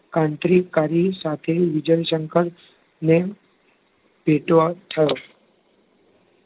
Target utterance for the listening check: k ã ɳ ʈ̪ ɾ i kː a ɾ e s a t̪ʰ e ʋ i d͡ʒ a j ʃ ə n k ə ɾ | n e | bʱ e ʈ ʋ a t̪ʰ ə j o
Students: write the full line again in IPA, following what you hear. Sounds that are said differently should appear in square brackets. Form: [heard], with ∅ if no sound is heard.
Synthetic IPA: k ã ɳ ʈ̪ ɾ i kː a ɾ [i] s a t̪ʰ e ʋ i d͡ʒ [ə] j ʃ ə [ŋ] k ə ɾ | n e | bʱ e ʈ ʋ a t̪ʰ ə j o